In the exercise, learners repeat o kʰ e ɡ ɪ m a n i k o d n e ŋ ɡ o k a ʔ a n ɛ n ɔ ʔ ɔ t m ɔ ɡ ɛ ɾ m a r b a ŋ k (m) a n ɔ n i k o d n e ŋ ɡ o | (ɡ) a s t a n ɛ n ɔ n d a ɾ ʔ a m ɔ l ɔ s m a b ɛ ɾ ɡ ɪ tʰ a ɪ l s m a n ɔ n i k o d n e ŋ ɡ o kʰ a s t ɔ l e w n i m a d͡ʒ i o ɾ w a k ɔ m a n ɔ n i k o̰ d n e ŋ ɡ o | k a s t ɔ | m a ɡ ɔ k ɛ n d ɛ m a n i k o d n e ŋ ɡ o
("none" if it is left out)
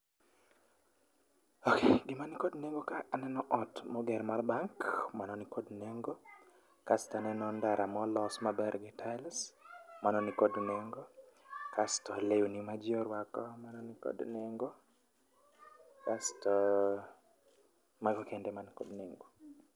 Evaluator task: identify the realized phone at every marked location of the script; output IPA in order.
m, k

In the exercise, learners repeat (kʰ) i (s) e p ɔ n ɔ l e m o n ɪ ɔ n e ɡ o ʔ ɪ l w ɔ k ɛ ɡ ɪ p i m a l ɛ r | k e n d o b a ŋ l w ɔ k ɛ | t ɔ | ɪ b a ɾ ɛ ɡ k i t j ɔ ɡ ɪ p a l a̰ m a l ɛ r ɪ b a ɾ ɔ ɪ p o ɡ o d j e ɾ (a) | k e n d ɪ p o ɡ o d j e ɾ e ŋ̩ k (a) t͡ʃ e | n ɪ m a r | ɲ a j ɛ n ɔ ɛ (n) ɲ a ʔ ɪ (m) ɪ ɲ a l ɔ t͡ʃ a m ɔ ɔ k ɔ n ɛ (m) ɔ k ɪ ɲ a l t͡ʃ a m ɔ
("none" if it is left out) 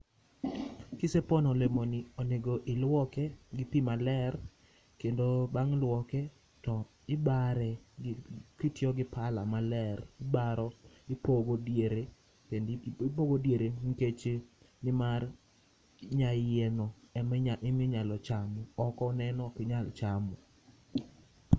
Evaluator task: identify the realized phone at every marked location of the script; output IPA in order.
k, s, e, e, m, m, n

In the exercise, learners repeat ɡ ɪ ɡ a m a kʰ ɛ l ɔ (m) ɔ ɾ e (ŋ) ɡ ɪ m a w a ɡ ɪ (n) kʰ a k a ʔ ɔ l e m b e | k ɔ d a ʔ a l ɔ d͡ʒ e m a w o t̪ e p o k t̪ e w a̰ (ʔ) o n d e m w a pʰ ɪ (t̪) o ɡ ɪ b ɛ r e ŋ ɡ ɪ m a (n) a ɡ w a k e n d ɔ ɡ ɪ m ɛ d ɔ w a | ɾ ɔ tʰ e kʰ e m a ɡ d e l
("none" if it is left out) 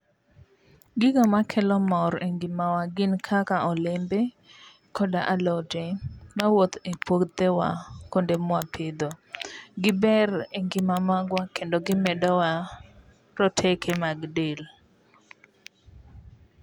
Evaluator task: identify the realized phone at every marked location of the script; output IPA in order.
m, ŋ, n, k, d̪, m

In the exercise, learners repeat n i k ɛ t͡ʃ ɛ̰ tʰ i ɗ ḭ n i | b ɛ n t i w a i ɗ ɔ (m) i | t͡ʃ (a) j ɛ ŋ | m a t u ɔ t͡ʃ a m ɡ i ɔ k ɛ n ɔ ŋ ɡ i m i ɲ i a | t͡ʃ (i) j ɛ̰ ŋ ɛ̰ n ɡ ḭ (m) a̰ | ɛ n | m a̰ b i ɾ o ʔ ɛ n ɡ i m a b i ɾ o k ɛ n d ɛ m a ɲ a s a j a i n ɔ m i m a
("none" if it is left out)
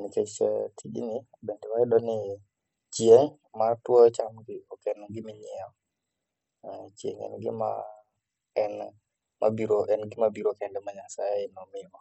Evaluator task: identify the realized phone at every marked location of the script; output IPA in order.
n, i, i, m

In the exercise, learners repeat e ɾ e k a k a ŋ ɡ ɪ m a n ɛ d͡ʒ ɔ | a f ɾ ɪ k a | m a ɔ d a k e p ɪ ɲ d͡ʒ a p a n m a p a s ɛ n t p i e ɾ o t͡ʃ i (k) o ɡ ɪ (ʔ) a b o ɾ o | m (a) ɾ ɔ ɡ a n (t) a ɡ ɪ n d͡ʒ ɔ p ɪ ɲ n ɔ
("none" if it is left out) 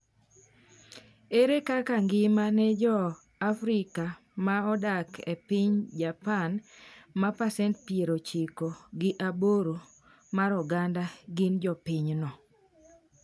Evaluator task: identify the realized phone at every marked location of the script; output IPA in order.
k, ʔ, a, d

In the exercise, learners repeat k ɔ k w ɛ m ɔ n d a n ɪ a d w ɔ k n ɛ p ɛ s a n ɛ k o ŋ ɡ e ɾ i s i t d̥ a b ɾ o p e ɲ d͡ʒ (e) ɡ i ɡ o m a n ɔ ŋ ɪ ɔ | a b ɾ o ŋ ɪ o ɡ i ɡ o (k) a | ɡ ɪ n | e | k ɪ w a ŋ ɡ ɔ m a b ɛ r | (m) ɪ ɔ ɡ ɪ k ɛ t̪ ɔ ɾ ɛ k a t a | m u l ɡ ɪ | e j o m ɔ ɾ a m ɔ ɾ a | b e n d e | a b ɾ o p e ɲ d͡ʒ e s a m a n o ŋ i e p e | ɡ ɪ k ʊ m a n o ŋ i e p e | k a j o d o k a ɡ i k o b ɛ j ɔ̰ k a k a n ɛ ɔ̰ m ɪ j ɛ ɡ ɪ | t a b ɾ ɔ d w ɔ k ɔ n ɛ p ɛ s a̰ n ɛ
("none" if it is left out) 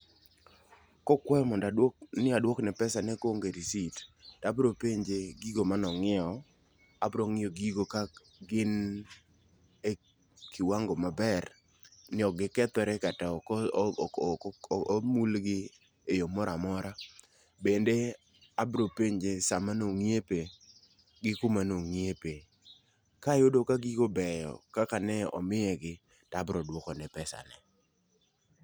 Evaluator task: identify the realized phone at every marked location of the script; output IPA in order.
e, k, n

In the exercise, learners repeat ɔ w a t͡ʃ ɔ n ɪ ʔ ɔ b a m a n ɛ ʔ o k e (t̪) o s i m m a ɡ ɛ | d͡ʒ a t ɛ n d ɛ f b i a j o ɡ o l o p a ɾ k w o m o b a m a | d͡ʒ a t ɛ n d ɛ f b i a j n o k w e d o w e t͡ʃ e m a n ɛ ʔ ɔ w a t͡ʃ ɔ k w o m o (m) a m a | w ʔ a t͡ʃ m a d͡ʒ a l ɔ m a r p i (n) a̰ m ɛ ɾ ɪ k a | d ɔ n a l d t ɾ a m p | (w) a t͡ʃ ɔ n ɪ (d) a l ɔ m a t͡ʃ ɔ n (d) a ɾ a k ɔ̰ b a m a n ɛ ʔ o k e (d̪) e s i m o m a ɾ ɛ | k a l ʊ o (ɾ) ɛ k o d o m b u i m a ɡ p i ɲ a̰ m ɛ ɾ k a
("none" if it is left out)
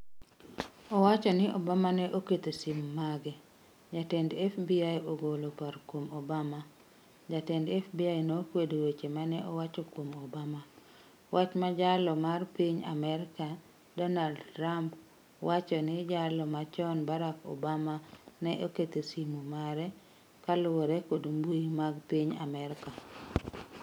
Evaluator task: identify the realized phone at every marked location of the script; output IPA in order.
t̪, b, ɲ, w, d͡ʒ, b, t̪, ɾ

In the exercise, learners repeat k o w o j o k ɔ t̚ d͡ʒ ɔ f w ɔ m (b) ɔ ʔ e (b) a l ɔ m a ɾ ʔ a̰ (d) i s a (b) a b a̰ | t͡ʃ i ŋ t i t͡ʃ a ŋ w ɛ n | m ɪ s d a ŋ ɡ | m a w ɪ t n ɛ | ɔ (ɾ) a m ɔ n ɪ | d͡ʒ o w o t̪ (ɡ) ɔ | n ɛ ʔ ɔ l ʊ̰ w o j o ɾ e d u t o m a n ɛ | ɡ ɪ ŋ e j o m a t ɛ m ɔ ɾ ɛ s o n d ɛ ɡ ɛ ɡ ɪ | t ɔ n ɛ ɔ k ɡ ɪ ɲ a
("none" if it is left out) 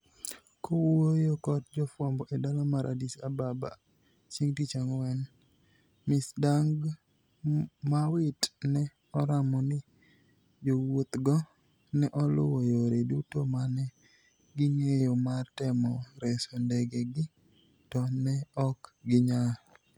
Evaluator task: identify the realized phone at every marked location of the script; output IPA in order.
b, d, d, b, ɾ, ɡ

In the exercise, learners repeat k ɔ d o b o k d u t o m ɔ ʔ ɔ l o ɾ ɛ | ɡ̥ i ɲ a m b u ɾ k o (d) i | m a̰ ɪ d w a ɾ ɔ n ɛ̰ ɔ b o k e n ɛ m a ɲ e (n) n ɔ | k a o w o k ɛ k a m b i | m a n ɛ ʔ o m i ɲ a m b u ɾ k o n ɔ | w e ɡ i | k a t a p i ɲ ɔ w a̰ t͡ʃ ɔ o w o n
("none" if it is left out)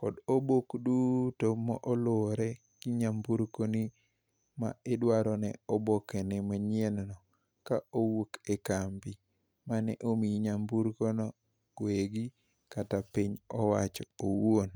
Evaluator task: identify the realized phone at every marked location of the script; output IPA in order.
n, n

